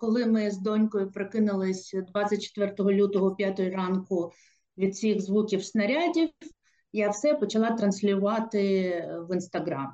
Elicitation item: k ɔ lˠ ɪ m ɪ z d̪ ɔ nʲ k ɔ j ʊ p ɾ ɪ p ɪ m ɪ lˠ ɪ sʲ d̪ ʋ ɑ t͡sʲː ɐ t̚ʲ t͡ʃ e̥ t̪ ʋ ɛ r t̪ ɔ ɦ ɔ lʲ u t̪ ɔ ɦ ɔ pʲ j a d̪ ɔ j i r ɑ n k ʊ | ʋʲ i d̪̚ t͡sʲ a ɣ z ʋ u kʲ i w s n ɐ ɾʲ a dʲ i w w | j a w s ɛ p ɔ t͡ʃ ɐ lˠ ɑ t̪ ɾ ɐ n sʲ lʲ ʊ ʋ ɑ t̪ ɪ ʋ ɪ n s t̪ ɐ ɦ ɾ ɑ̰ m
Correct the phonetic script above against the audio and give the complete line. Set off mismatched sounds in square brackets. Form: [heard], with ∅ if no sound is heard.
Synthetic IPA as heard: k ɔ lˠ ɪ m ɪ z d̪ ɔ nʲ k ɔ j ʊ p ɾ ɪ [k] ɪ [n] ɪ lˠ ɪ sʲ d̪ ʋ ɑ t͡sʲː ɐ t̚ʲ t͡ʃ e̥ t̪ ʋ ɛ r t̪ ɔ ɦ ɔ lʲ u t̪ ɔ ɦ ɔ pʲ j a [t̪] ɔ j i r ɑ n k ʊ | ʋʲ i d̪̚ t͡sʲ [i] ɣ z ʋ u kʲ i w s n ɐ ɾʲ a dʲ i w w | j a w s ɛ p ɔ t͡ʃ ɐ lˠ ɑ t̪ ɾ ɐ n sʲ lʲ ʊ ʋ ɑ t̪ ɪ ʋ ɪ n s t̪ ɐ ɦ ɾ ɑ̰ m